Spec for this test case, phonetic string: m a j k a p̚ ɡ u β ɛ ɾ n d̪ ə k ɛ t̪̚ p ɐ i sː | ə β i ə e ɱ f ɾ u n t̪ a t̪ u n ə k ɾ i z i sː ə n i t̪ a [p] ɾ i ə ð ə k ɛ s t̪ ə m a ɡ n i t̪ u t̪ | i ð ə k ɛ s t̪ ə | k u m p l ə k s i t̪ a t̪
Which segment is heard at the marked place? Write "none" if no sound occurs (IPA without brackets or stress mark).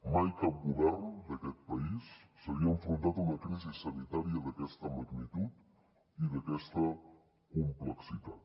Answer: none